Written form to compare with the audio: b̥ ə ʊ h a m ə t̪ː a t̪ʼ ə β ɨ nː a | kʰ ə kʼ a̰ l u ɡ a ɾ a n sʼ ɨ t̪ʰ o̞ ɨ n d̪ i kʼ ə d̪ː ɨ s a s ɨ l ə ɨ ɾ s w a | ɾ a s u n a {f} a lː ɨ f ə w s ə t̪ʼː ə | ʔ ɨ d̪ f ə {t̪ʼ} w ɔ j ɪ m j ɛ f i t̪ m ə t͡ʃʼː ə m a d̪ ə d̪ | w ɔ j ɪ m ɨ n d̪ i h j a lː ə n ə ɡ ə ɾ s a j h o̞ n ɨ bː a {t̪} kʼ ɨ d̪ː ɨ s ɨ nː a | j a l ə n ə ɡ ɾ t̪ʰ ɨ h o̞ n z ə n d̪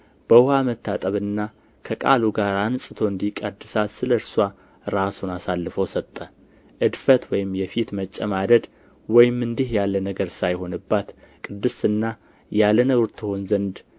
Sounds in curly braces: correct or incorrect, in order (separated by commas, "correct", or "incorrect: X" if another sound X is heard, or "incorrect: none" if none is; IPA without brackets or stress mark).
incorrect: s, incorrect: t̪, correct